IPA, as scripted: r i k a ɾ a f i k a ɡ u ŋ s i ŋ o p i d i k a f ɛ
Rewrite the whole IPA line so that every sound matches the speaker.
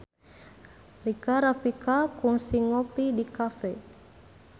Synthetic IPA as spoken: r i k a ɾ a f i k a k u ŋ s i ŋ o p i d i k a f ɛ